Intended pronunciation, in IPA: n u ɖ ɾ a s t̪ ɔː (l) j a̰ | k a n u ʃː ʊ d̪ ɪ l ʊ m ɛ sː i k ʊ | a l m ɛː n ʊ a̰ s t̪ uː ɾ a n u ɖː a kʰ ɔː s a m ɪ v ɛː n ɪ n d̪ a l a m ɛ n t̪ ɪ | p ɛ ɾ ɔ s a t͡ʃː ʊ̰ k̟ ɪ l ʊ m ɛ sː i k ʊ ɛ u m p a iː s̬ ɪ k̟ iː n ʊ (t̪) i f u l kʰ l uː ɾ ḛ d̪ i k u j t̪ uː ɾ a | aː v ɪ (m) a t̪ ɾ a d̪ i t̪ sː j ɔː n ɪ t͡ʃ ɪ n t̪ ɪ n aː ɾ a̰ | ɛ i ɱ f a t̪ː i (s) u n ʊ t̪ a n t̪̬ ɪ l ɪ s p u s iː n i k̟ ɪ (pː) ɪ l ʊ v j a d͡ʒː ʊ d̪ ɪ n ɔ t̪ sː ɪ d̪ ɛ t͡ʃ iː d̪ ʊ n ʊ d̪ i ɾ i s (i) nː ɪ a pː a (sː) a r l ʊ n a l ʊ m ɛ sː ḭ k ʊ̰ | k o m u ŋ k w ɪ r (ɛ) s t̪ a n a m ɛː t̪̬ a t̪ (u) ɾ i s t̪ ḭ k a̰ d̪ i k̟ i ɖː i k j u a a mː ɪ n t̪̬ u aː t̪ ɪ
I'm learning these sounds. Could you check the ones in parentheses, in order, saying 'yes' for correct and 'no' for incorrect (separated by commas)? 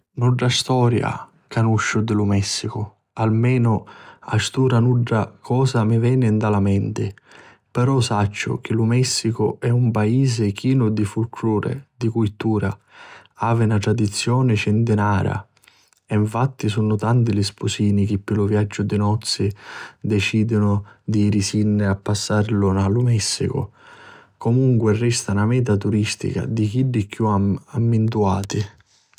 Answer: no, no, no, yes, yes, yes, yes, yes, yes